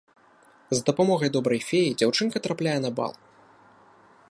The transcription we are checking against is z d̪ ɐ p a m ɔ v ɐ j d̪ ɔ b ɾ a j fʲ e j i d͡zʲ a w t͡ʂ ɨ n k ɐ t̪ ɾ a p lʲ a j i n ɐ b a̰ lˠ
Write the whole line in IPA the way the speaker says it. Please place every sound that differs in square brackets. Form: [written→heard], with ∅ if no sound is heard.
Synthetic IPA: z d̪ ɐ p a m ɔ [v→ɣ] ɐ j d̪ ɔ b ɾ [a→ɐ] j fʲ e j i d͡zʲ a w t͡ʂ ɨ n k ɐ t̪ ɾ a p lʲ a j [i→ɛ] n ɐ b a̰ lˠ